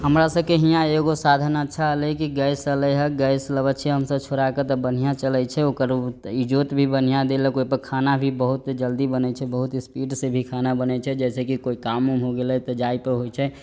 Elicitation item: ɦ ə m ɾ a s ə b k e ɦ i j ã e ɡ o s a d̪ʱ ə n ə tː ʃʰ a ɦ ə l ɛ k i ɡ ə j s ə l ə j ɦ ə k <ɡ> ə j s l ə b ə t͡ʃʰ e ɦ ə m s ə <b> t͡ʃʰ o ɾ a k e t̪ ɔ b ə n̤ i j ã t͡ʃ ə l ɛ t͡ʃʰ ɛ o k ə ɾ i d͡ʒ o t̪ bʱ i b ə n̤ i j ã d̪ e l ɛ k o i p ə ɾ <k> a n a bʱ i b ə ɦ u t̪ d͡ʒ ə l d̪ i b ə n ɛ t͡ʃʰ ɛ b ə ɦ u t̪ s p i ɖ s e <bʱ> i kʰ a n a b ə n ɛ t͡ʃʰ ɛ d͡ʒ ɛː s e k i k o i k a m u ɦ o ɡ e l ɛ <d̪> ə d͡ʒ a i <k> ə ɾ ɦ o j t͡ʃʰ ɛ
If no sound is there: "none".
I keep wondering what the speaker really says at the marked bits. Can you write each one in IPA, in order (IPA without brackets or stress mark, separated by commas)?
ɡ, b, kʰ, bʱ, t̪, p